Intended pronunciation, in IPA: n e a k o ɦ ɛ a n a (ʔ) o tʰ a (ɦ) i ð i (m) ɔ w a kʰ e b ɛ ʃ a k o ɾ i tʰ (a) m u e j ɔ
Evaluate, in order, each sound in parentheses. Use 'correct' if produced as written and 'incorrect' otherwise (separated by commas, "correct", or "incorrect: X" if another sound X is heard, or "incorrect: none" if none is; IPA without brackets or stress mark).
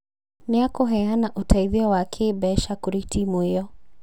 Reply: correct, incorrect: none, incorrect: none, incorrect: i